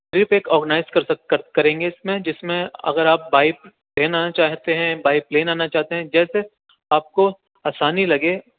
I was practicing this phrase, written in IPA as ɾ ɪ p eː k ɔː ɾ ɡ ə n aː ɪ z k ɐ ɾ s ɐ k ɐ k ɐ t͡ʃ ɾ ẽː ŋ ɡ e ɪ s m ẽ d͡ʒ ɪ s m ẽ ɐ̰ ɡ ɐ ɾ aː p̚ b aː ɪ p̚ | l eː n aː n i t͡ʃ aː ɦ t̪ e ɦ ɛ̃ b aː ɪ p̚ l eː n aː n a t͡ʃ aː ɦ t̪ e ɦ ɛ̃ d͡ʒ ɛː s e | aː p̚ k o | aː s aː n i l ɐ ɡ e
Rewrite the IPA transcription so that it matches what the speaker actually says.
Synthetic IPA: ɾ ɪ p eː k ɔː ɾ ɡ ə n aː ɪ z k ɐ ɾ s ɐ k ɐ k ɐ ɾ ẽː ŋ ɡ e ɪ s m ẽ d͡ʒ ɪ s m ẽ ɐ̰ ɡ ə ɾ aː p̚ b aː ɪ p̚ | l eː n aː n a t͡ʃ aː ɦ t̪ e ɦ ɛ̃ b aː ɪ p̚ l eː n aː n a t͡ʃ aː ɦ t̪ e ɦ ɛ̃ d͡ʒ ɛː s e | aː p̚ k o | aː s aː n i l ɐ ɡ e